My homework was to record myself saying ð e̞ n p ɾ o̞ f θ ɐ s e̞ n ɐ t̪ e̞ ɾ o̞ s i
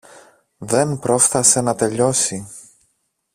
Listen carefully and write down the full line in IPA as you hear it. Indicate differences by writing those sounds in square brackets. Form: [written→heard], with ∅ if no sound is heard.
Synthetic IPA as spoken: ð e̞ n p ɾ o̞ f θ ɐ s e̞ n ɐ t̪ e̞ [ɾ→ʎ] o̞ s i